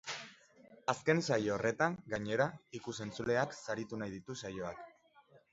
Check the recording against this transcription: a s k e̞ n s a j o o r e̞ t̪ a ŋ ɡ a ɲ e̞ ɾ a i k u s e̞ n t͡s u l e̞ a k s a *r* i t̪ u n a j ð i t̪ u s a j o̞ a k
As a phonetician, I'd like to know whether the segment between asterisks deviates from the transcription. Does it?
yes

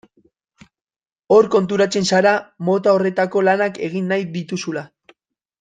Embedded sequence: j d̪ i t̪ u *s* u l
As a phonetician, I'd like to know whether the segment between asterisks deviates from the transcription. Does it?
no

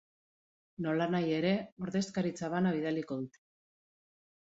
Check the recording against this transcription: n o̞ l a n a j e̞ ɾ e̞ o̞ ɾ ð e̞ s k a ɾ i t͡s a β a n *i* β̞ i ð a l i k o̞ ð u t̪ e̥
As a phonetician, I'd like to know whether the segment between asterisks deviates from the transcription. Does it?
yes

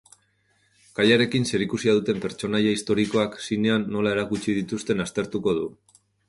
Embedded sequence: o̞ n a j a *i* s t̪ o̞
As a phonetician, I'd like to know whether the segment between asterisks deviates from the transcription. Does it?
no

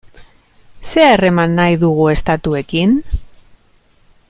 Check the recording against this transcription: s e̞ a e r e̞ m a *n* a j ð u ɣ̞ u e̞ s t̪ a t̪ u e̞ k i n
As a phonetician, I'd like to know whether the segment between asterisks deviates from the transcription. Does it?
yes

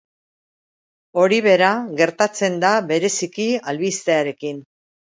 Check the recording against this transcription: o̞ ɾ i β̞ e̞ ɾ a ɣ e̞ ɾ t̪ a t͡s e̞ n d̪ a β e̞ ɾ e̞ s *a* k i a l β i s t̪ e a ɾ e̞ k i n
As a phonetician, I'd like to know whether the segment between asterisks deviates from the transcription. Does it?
yes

